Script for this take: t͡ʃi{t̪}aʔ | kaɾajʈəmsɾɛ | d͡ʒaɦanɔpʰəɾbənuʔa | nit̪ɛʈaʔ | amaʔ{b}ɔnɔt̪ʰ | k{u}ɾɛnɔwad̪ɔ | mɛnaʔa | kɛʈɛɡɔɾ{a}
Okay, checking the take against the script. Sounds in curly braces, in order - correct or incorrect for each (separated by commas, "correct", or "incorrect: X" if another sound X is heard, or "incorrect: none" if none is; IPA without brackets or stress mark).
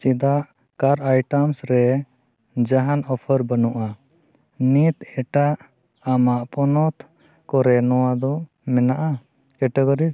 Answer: incorrect: d̪, incorrect: p, incorrect: ɔ, incorrect: i